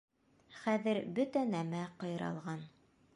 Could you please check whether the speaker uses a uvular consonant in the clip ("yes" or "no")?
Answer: yes